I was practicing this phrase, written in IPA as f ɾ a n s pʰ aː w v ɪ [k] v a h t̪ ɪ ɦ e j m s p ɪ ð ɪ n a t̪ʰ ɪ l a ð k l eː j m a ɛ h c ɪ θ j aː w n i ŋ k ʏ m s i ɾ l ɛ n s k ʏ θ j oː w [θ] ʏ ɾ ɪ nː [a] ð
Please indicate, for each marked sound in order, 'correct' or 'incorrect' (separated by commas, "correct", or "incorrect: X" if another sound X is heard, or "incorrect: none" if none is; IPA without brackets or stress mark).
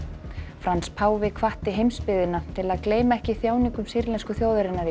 incorrect: kʰ, incorrect: ð, correct